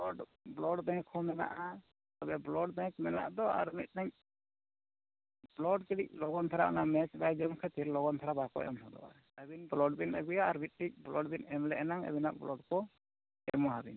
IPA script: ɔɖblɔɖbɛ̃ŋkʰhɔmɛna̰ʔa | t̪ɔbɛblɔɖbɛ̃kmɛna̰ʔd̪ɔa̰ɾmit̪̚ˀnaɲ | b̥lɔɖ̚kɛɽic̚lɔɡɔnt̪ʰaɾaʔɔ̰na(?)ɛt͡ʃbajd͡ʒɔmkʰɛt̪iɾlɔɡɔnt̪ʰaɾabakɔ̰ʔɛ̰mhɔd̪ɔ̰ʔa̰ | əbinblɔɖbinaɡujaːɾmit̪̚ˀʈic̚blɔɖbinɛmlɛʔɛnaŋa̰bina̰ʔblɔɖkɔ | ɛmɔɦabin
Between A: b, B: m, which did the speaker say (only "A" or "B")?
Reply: B